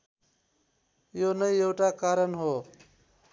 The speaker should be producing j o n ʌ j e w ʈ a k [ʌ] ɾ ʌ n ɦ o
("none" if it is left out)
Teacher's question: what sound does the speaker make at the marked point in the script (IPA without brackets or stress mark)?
a